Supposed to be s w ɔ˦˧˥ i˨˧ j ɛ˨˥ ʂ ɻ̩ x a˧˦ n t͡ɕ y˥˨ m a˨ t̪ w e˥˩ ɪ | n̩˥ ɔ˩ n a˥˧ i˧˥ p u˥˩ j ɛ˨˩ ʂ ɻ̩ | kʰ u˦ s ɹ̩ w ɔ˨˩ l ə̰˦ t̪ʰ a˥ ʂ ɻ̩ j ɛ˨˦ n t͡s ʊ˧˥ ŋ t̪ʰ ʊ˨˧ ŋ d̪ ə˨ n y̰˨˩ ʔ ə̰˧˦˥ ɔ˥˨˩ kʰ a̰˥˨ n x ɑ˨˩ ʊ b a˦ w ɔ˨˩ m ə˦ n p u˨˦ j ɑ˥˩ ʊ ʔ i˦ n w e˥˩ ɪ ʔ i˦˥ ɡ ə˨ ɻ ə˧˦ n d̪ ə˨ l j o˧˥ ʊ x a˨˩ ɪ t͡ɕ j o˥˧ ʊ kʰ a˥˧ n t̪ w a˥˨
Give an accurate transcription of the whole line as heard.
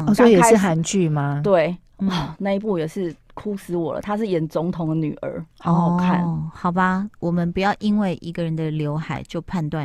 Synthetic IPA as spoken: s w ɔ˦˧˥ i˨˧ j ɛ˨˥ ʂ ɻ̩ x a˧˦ n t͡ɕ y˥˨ m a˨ t̪ w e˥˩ ɪ | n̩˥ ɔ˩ n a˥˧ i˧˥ p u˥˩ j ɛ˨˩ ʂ ɻ̩ | kʰ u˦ s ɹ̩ w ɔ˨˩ l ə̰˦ t̪ʰ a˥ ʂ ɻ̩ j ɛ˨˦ n t͡s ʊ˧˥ ŋ t̪ʰ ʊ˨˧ ŋ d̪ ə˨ n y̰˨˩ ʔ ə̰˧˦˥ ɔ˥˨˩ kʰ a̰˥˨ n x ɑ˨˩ ʊ b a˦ w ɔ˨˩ m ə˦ n p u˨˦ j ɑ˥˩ ʊ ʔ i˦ n w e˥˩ ɪ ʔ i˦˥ ɡ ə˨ ɻ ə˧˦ n d̪ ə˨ l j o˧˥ ʊ x a˨˩ ɪ t͡ɕ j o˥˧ ʊ pʰ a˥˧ n t̪ w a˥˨